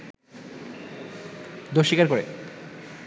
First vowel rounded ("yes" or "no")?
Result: yes